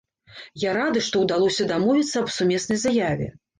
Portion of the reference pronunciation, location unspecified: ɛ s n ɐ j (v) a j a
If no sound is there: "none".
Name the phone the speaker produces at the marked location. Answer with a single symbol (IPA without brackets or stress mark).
z